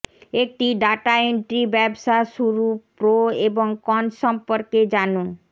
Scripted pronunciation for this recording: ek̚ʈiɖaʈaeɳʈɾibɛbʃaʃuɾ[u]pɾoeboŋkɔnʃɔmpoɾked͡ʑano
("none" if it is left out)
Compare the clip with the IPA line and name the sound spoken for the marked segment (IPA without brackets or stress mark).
u